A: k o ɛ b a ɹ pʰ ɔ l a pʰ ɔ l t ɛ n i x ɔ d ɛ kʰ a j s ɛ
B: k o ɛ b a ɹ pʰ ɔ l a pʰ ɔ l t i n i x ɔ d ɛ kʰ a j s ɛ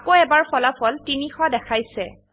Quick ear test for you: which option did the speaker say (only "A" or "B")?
B